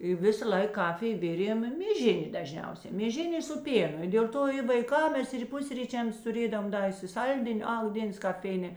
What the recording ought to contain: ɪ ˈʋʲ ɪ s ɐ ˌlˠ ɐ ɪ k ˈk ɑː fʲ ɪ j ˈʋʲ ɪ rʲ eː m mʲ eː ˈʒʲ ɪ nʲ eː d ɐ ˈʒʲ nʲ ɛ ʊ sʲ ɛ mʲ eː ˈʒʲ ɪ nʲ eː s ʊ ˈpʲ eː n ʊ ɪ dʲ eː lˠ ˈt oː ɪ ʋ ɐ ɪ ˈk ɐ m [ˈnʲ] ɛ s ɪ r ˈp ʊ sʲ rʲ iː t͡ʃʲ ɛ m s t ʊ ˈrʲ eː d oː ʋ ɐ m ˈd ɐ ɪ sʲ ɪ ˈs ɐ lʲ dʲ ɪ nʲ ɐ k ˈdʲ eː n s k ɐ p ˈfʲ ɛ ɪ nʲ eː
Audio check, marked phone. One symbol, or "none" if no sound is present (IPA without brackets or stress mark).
mʲ